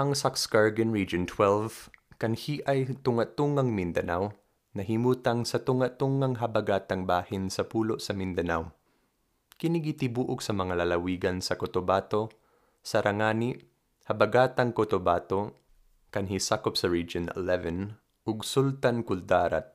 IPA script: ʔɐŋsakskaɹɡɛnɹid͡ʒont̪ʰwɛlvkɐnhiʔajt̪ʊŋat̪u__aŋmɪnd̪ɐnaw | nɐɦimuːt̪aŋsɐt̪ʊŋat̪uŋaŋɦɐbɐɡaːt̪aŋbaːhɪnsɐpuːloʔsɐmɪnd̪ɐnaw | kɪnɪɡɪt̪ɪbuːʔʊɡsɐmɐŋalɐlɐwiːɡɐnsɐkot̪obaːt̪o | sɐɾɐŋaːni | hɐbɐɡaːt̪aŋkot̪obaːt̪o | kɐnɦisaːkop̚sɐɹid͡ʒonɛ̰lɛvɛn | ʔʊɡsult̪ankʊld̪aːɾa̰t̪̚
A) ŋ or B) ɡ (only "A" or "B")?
A